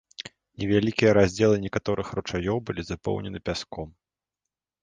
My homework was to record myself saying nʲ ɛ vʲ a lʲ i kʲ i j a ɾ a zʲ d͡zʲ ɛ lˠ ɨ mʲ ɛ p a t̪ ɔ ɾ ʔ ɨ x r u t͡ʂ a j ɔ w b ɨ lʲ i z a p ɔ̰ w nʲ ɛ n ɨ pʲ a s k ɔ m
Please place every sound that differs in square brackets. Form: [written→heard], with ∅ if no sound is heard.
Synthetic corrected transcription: nʲ ɛ vʲ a lʲ i kʲ i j [a→ɐ] ɾ a zʲ d͡zʲ ɛ lˠ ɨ [mʲ→nʲ] ɛ [p→k] a t̪ ɔ ɾ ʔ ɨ x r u t͡ʂ a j ɔ w b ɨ lʲ i z a p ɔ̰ w nʲ ɛ n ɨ pʲ a s k ɔ m